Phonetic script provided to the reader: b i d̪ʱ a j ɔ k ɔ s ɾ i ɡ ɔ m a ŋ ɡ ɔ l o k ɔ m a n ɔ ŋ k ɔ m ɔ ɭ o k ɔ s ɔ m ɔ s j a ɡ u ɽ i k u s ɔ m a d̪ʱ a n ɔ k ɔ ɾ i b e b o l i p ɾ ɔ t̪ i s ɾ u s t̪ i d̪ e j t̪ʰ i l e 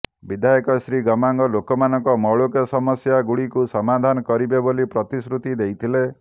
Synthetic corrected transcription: b i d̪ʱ a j ɔ k ɔ s ɾ i ɡ ɔ m a ŋ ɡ ɔ l o k ɔ m a n ɔ ŋ k ɔ m ɔ ɭ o k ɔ s ɔ m ɔ s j a ɡ u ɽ i k u s ɔ m a d̪ʱ a n ɔ k ɔ ɾ i b e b o l i p ɾ ɔ t̪ i s ɾ u t̪ i d̪ e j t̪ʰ i l e